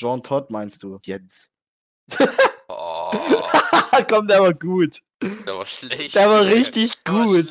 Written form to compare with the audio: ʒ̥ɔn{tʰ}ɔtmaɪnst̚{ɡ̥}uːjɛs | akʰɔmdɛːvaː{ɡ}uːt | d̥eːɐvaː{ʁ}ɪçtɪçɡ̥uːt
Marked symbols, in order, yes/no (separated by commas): yes, no, yes, yes